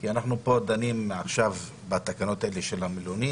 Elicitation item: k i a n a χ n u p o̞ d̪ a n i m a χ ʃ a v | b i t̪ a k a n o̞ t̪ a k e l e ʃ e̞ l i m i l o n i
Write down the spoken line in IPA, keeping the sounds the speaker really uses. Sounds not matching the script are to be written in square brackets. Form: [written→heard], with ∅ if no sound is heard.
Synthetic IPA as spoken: k i a n a χ n u p o̞ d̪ a n i m a χ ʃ a v | b [i→a] t̪ a k a n o̞ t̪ a [k→∅] e l e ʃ e̞ l [i→a] m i l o n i